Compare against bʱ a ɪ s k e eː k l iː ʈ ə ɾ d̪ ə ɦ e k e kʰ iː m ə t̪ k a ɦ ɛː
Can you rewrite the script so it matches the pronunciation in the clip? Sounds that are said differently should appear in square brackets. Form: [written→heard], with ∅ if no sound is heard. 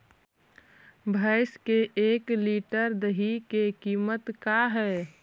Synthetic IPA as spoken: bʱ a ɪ s k e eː k l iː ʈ ə ɾ d̪ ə ɦ [e→i] k e [kʰ→k] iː m ə t̪ k a ɦ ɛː